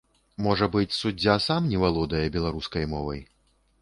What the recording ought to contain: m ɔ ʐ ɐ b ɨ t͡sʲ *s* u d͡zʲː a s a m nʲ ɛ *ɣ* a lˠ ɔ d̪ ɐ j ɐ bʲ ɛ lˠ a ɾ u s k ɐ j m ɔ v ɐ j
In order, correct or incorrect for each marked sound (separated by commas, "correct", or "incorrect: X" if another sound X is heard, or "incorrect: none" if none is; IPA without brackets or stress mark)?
correct, incorrect: v